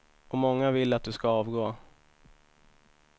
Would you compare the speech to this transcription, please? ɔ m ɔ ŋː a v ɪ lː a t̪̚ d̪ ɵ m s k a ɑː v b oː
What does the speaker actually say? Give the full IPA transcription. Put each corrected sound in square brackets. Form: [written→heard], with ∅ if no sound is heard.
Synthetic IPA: ɔ m ɔ ŋː a v ɪ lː a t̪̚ d̪ ɵ [m→∅] s k a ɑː v [b→ɡ] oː